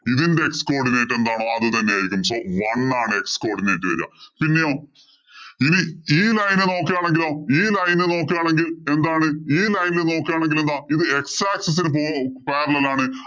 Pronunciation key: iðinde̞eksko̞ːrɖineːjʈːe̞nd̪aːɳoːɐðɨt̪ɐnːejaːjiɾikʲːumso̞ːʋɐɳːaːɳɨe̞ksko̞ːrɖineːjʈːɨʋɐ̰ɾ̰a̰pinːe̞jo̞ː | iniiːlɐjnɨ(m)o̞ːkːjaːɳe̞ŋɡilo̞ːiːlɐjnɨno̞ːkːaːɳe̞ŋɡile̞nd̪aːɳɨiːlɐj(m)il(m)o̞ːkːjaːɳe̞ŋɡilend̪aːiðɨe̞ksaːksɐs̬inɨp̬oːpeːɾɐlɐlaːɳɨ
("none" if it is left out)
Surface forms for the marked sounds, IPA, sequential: n, n, n

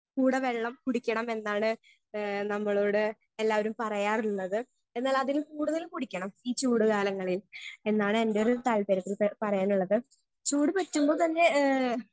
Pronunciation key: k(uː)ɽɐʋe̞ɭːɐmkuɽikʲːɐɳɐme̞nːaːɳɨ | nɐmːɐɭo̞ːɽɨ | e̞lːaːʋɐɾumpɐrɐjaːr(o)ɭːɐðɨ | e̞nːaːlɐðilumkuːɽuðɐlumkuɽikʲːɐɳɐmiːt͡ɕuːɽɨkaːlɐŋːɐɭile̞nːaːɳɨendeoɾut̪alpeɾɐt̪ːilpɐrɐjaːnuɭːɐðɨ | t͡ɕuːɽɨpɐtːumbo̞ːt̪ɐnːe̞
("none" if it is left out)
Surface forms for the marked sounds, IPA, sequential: uː, u

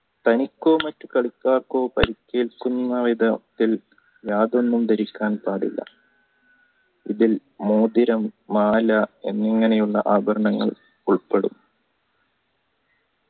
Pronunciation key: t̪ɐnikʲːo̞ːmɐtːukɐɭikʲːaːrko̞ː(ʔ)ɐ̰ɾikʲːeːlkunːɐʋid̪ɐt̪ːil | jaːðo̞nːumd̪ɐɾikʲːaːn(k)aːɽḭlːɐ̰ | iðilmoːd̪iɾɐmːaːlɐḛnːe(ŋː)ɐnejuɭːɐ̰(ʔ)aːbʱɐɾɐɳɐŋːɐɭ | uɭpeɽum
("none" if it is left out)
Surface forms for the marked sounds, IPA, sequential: p, p, ŋː, ʔ

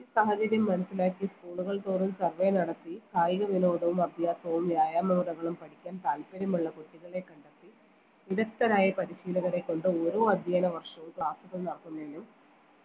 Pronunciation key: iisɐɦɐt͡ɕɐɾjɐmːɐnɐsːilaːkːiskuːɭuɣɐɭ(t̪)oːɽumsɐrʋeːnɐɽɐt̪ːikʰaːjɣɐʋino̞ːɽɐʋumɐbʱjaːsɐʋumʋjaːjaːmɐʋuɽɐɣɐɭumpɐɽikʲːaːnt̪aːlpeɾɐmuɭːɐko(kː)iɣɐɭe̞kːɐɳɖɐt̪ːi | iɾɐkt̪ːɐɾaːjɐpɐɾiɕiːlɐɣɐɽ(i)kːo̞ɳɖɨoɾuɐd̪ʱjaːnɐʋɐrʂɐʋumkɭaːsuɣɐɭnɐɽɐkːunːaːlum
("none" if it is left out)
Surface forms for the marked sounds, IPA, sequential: t̪, ʈː, e

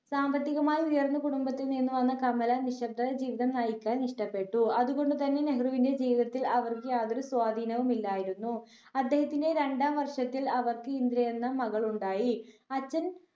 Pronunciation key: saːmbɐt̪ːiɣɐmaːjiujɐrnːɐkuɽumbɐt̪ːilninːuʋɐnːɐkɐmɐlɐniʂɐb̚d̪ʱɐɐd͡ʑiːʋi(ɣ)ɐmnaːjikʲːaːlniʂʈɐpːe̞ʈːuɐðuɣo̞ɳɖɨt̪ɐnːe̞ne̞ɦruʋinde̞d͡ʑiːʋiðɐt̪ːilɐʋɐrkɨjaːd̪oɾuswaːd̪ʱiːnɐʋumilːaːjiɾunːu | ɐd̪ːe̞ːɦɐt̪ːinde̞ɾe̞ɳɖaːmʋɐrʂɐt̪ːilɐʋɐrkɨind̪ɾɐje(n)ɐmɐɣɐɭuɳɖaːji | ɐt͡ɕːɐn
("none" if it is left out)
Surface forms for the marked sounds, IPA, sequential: ð, nː

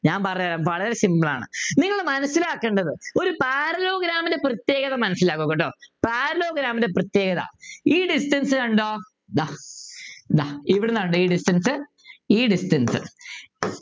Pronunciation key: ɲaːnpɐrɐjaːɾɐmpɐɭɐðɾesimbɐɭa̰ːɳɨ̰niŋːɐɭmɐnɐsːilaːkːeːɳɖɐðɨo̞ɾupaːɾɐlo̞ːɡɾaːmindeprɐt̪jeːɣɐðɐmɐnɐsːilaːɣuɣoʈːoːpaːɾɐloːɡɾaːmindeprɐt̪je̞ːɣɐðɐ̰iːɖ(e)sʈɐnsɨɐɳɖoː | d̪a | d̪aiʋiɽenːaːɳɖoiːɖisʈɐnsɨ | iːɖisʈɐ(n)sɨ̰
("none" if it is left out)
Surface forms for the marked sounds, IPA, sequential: i, n

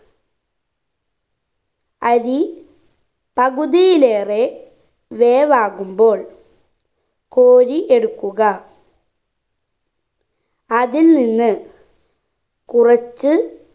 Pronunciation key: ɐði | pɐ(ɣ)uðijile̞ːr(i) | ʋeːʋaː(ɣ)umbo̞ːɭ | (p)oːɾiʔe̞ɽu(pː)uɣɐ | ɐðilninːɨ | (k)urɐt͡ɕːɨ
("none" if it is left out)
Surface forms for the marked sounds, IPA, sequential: ɣ, e, ɣ, k, kː, k

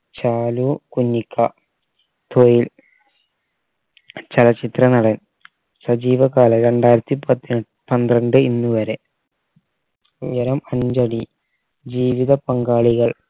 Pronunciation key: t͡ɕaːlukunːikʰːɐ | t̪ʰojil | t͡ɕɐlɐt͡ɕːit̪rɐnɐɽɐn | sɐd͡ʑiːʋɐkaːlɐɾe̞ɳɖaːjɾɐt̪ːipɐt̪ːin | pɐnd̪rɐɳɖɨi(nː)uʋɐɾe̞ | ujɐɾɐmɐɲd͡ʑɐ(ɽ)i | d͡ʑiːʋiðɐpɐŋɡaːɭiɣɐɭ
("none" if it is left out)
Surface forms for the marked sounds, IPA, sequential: nː, ɽ

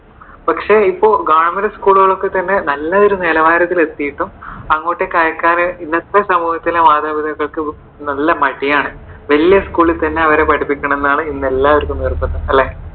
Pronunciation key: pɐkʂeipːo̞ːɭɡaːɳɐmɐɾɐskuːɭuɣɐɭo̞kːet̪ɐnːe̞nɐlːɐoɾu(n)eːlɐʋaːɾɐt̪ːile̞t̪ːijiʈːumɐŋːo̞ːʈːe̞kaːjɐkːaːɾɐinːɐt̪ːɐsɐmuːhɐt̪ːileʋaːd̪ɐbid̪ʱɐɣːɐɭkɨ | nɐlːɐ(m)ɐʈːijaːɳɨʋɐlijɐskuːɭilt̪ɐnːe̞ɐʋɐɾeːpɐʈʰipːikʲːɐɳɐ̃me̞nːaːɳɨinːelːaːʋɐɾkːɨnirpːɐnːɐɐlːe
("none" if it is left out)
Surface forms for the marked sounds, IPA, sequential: n, m

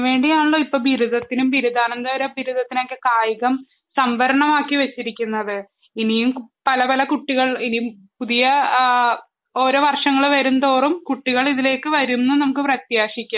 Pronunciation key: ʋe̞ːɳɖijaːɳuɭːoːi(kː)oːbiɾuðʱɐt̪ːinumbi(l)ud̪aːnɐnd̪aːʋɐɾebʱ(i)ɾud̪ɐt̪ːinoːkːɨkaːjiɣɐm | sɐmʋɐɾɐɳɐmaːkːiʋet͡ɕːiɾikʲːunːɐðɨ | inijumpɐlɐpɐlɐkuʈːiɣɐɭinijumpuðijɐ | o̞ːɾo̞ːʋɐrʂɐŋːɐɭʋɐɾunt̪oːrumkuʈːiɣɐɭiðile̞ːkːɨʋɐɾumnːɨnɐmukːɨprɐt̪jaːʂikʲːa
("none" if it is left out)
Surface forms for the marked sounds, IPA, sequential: pː, ɾ, i

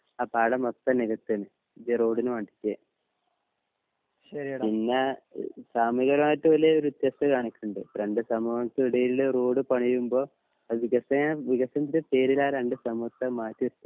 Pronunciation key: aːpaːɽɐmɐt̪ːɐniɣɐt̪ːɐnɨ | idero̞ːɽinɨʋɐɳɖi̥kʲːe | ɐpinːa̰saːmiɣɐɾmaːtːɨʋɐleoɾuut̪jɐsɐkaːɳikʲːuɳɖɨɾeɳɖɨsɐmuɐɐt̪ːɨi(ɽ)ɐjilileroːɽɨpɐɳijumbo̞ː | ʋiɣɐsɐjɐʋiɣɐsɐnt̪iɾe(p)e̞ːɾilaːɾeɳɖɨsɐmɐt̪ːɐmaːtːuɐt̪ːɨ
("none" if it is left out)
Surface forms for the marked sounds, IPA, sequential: ɽ, p

